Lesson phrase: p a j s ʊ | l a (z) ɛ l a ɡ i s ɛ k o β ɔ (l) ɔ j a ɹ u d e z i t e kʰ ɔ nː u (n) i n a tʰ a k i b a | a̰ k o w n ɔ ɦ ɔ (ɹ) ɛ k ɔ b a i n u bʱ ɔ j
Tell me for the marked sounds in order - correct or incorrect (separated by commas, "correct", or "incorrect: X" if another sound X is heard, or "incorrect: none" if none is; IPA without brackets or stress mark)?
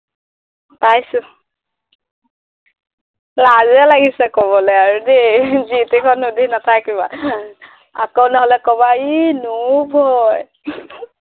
correct, correct, incorrect: d, incorrect: l